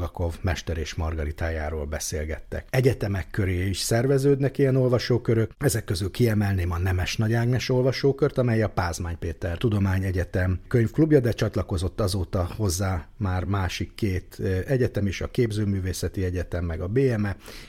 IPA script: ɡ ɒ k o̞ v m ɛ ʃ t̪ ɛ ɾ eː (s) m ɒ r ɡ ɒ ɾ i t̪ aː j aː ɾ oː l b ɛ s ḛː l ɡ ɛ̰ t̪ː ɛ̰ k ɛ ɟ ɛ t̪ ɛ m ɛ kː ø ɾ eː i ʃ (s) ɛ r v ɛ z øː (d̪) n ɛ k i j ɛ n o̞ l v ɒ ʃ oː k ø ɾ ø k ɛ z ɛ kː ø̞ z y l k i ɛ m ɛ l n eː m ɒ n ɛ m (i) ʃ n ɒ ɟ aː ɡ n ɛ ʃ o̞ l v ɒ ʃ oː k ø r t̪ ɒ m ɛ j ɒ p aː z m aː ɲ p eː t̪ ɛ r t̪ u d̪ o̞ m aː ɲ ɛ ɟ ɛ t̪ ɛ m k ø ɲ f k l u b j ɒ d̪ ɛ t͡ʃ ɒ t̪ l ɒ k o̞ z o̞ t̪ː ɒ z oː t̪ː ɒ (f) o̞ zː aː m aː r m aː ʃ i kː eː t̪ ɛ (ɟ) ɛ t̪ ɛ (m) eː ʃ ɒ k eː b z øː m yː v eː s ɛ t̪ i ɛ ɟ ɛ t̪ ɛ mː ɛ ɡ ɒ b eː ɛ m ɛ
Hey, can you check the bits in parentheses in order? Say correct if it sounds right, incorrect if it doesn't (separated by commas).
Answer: incorrect, correct, correct, incorrect, incorrect, correct, correct